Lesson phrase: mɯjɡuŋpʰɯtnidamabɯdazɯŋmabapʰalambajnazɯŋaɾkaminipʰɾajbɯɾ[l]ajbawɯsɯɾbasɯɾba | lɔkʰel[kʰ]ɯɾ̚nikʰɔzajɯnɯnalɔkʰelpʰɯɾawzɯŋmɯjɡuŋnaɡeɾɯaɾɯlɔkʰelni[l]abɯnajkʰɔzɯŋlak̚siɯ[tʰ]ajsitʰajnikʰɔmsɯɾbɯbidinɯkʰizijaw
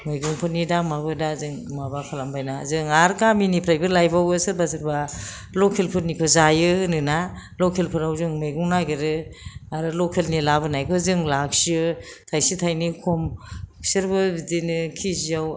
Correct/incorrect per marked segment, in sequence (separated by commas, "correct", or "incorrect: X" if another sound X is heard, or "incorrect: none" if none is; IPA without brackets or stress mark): correct, incorrect: pʰ, correct, correct